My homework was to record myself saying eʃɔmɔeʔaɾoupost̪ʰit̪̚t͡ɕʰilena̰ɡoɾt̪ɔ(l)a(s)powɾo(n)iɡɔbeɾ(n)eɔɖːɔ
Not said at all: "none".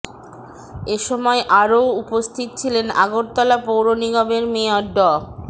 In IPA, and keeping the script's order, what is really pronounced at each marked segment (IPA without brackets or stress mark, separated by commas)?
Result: l, none, n, m